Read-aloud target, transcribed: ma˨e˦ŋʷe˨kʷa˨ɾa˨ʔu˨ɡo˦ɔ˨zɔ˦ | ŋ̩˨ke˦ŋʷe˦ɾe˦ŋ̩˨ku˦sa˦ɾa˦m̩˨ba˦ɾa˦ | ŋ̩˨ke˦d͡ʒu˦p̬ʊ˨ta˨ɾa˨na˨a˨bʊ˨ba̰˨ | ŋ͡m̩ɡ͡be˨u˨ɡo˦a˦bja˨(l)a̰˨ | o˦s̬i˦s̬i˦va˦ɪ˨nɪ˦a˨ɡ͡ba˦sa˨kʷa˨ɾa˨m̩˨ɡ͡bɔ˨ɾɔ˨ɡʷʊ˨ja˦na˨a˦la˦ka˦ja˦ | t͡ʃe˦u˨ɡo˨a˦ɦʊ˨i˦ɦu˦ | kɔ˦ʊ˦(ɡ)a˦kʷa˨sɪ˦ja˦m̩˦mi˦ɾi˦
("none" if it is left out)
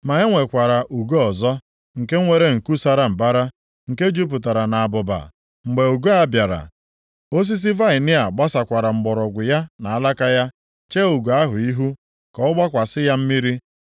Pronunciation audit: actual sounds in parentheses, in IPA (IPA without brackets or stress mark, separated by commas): ɾ, ɡ͡b